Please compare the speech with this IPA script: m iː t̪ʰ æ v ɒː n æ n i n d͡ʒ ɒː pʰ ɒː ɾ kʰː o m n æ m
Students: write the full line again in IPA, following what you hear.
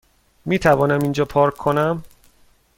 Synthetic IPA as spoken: m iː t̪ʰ æ v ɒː n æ m i n d͡ʒ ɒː pʰ ɒː ɾ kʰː o n æ m